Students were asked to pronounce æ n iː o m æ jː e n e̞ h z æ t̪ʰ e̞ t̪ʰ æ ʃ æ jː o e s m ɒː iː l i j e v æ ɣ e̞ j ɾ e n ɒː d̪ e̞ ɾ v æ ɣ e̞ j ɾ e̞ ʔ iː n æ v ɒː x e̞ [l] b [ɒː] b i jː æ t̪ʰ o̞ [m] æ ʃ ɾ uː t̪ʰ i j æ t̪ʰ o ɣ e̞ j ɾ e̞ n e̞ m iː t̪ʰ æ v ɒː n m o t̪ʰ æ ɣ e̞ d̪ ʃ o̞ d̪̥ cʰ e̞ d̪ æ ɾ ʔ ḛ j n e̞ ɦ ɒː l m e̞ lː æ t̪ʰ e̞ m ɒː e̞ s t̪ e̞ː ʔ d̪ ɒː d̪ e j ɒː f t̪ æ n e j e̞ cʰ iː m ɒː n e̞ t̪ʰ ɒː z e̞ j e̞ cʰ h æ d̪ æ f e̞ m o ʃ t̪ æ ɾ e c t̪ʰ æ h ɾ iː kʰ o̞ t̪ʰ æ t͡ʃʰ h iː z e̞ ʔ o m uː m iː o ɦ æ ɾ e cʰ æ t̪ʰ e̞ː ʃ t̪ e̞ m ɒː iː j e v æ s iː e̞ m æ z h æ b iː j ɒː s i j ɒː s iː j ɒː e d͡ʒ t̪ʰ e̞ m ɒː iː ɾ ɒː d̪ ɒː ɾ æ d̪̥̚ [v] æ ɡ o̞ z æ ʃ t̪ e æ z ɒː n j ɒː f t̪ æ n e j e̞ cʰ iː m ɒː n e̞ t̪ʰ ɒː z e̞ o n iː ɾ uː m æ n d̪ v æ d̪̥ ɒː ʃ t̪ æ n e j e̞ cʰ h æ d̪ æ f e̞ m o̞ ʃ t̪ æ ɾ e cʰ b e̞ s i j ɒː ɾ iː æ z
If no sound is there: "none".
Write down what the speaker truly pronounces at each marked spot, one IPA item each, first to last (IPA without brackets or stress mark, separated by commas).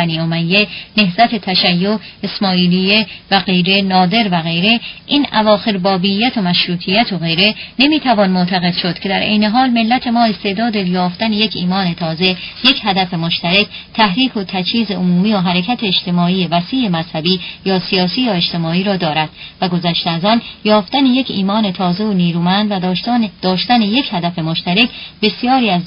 ɾ, ɒː, m, v